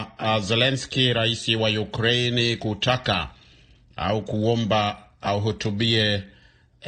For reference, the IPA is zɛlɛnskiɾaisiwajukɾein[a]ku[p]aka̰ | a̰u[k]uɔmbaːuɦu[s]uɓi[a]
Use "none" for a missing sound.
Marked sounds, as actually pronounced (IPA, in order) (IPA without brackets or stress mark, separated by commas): i, t, k, t, ɛ